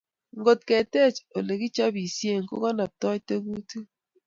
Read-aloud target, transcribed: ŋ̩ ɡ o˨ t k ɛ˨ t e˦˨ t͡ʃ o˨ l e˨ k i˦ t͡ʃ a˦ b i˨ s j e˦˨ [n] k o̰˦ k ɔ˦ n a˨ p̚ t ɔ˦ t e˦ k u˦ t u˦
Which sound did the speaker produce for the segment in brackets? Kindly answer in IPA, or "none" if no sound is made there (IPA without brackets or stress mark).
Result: ŋ